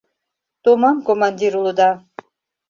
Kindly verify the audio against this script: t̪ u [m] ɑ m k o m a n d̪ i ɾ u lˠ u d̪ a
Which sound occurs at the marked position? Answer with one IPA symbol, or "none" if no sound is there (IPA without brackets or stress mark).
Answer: m